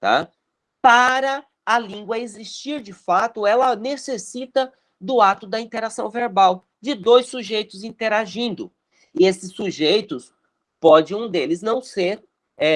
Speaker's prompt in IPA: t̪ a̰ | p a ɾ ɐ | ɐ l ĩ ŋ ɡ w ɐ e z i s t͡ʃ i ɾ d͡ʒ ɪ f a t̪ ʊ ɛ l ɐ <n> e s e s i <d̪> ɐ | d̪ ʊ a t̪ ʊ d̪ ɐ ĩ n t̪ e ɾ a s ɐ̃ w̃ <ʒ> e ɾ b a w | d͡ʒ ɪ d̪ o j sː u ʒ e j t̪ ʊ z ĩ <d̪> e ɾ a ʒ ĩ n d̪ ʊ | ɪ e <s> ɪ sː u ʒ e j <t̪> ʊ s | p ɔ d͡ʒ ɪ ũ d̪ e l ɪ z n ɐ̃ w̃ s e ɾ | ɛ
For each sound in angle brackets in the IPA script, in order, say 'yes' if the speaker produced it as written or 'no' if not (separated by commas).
yes, no, no, no, yes, yes